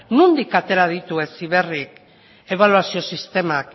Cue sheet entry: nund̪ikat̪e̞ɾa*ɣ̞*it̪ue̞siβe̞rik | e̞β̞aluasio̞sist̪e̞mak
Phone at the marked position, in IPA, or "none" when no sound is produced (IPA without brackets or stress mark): ð̞